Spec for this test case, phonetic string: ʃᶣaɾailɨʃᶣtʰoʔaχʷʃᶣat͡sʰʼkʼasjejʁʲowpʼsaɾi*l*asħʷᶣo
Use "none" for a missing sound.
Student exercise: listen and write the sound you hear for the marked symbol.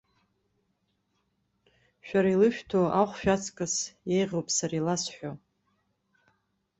l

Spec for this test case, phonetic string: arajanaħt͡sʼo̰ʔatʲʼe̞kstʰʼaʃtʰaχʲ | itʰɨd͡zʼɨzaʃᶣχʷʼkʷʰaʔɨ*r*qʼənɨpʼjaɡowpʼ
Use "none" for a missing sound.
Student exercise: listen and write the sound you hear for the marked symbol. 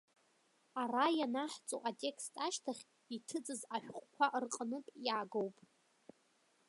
r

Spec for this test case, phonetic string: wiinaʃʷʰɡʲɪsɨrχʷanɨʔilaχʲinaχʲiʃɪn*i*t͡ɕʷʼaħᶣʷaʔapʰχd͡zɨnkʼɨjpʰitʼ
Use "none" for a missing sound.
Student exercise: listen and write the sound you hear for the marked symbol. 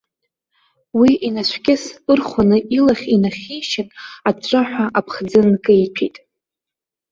a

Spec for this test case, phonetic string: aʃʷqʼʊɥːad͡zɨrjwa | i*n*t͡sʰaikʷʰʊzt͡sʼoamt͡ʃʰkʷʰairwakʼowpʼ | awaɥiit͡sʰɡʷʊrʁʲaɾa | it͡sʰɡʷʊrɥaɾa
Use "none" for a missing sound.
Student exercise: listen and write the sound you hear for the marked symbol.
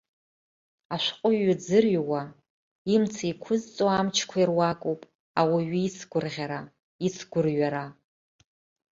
m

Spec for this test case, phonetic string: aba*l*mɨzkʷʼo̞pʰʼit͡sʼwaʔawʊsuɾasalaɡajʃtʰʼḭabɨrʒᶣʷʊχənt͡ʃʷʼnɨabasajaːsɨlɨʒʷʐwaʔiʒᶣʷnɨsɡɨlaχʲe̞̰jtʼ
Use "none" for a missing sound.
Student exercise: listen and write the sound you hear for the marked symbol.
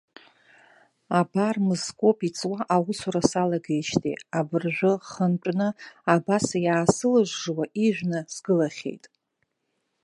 r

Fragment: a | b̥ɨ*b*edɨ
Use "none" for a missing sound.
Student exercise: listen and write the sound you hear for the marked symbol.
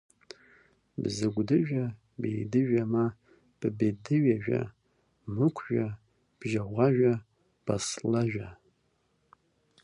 b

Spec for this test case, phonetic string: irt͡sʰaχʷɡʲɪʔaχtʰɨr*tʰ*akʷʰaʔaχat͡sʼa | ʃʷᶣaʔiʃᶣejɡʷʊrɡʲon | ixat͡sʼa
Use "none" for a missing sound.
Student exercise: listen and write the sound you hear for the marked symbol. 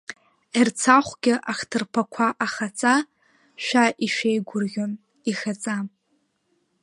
pʰ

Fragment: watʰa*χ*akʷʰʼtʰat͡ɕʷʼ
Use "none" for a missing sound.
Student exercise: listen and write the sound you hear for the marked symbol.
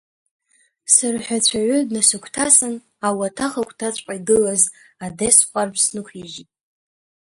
χ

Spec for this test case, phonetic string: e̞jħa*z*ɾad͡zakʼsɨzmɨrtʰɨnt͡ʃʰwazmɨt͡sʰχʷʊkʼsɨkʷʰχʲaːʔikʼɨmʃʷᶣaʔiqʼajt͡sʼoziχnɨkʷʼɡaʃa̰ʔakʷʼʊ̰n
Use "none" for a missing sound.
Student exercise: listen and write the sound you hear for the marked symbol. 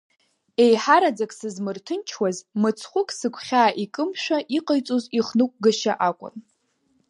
none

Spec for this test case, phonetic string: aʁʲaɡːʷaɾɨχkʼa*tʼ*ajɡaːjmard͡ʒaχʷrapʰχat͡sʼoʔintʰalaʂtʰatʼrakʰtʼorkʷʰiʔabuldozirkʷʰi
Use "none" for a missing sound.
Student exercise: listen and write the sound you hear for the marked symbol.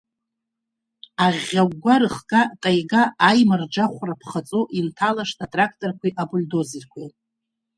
tʼ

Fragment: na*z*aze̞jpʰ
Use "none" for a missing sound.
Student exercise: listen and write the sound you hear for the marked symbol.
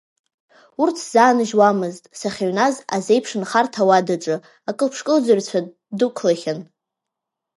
z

